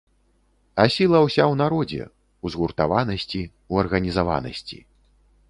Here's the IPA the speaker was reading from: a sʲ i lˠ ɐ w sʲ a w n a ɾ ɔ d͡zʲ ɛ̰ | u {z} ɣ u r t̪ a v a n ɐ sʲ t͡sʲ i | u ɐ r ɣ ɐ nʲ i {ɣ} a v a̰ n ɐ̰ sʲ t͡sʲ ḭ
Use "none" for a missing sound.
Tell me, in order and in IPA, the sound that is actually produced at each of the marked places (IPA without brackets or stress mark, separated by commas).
z, z